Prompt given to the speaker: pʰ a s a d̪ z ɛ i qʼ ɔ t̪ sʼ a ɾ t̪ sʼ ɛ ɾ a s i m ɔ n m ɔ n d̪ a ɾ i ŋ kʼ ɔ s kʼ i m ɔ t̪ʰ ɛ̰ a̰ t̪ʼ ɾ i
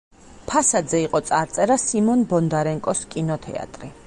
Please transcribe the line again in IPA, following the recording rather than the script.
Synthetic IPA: pʰ a s a d̪ z ɛ i qʼ ɔ t̪ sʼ a ɾ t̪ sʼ ɛ ɾ a s i m ɔ n b ɔ n d̪ a ɾ ɛ ŋ kʼ ɔ s kʼ i n ɔ t̪ʰ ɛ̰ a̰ t̪ʼ ɾ i